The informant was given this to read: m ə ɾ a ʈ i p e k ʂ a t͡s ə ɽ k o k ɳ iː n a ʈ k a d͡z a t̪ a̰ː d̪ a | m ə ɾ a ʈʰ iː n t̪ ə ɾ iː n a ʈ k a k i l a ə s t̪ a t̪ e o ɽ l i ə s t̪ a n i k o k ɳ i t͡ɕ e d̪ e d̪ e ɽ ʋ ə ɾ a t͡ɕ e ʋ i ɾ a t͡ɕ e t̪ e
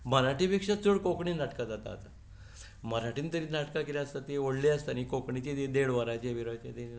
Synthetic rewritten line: m ə ɾ a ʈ i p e k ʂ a t͡s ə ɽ k o k ɳ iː n a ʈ k a d͡z a t̪ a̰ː t̪ a | m ə ɾ a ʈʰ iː n t̪ ə ɾ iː n a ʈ k a k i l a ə s t̪ a t̪ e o ɽ l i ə s t̪ a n i k o k ɳ i t͡ɕ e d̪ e d̪ e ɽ ʋ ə ɾ a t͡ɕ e ʋ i ɾ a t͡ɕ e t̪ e